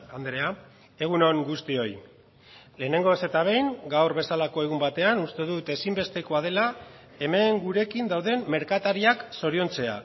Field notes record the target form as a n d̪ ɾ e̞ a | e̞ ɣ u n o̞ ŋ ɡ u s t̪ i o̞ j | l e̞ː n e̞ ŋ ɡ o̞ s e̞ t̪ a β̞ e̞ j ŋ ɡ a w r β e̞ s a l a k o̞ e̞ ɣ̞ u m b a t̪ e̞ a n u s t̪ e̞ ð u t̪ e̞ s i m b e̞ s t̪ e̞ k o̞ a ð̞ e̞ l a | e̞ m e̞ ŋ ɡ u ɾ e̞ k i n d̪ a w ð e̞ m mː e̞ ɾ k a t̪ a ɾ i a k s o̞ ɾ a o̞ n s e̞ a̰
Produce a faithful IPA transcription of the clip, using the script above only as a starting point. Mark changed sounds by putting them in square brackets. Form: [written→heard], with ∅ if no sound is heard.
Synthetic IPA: a n d̪ ɾ e̞ a | e̞ ɣ u n o̞ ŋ ɡ u s t̪ i o̞ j | l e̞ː n e̞ ŋ ɡ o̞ s e̞ t̪ a β̞ e̞ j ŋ ɡ a w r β e̞ s a l a k o̞ e̞ ɣ̞ u m b a t̪ e̞ a n u s t̪ e̞ ð u t̪ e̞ s i m b e̞ s t̪ e̞ k o̞ a ð̞ e̞ l a | e̞ m e̞ ŋ ɡ u ɾ e̞ k i n d̪ a w ð e̞ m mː e̞ ɾ k a t̪ a ɾ i a k s o̞ ɾ [a→i] o̞ n [s→t͡s] e̞ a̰